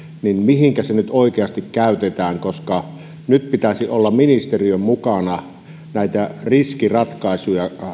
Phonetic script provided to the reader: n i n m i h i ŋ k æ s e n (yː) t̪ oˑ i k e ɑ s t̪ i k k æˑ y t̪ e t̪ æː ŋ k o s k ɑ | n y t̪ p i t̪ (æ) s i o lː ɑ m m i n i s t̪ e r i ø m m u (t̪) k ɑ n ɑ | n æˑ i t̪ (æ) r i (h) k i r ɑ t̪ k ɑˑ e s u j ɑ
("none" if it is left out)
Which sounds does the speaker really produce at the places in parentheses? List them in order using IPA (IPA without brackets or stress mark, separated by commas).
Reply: y, æ, none, æ, s